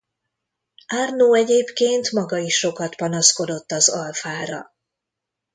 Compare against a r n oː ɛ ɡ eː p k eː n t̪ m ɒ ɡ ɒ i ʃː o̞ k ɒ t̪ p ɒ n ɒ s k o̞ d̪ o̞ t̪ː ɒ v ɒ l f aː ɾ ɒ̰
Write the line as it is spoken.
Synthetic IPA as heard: a r n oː ɛ ɟ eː p k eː n t̪ m ɒ ɡ ɒ i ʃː o̞ k ɒ t̪ p ɒ n ɒ s k o̞ d̪ o̞ t̪ː ɒ z ɒ l f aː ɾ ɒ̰